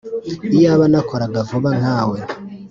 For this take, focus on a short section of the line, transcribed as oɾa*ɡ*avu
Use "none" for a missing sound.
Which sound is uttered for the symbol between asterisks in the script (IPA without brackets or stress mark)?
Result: ɡ